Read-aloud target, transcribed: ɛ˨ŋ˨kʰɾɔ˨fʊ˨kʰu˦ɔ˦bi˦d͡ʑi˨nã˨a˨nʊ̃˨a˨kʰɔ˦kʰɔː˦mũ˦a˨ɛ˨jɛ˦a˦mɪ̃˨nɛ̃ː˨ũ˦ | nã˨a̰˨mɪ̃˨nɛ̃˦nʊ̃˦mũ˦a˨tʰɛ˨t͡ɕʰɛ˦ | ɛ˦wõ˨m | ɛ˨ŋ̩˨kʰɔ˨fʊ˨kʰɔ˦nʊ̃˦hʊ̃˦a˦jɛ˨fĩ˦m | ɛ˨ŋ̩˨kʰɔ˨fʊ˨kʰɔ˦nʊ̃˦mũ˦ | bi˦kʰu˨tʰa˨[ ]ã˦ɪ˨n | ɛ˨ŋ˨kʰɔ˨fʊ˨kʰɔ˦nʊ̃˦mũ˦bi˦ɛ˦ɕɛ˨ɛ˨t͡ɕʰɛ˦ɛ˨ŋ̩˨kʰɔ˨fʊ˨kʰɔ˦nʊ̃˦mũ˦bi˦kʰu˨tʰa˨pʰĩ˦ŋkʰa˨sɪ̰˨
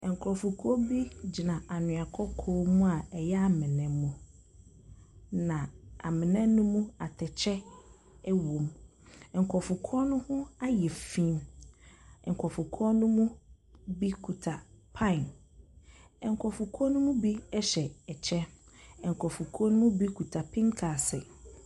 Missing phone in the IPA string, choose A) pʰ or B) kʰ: A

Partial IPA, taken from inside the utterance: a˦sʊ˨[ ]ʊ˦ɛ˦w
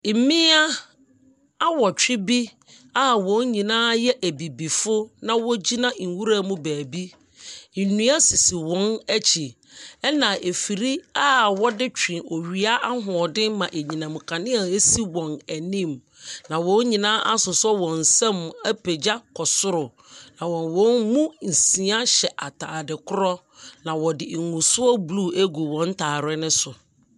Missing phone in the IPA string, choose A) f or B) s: B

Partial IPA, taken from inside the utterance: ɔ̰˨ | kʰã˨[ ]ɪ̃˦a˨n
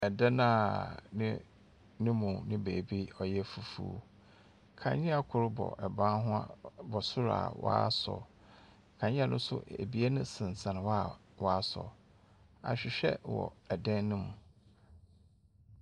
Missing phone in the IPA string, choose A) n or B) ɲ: B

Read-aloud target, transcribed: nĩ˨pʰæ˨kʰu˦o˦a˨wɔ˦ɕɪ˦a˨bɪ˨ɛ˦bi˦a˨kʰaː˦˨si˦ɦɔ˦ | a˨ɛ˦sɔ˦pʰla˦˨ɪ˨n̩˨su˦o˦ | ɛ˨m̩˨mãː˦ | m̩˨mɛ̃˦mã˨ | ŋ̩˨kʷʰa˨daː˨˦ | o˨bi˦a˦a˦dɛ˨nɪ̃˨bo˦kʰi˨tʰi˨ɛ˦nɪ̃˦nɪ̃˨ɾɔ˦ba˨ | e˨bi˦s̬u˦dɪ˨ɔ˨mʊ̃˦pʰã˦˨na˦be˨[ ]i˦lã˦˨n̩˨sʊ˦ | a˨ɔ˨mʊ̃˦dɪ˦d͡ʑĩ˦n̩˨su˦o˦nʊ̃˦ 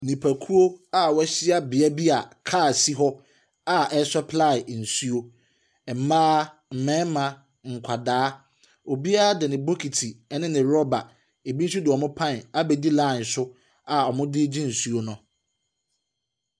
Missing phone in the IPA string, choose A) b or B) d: B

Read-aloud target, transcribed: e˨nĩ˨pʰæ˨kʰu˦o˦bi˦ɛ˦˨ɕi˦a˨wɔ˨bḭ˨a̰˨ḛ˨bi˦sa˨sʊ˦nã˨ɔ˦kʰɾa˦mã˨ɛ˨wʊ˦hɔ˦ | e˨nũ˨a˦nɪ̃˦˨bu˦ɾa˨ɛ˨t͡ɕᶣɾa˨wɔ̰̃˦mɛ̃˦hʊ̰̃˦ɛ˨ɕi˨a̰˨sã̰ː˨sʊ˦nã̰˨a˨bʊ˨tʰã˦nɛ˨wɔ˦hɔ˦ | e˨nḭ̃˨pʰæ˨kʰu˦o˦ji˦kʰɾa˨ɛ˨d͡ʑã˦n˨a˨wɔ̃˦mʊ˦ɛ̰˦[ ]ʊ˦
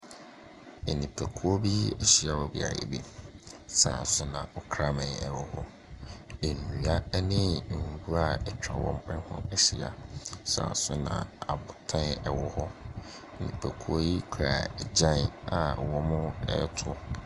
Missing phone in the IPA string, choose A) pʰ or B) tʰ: B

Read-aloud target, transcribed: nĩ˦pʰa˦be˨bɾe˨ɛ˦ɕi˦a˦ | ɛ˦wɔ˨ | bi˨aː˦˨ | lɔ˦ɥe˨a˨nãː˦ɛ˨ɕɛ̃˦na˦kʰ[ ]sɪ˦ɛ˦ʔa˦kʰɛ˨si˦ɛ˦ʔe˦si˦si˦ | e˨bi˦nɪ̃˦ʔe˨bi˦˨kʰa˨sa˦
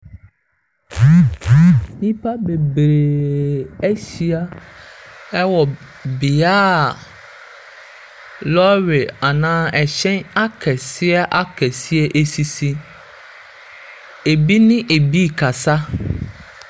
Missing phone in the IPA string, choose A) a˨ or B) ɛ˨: B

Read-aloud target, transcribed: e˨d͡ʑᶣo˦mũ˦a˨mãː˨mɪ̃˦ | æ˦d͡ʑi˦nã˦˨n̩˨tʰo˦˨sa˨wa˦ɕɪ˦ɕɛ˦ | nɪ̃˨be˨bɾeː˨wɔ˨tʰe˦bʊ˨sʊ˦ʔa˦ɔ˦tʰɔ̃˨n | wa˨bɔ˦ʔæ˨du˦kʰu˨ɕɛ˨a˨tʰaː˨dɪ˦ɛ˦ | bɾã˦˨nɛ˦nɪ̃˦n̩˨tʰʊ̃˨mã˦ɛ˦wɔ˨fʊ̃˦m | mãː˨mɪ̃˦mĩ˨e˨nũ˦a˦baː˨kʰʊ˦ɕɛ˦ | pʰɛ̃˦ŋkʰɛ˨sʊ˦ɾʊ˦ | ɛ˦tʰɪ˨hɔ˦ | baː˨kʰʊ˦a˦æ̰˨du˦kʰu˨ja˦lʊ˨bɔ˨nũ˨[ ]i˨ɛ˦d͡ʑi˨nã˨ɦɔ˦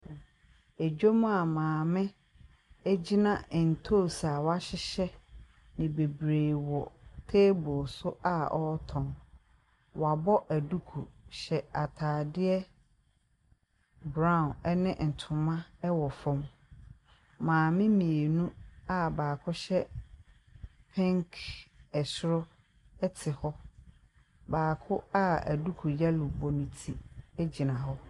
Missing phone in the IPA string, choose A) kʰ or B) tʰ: B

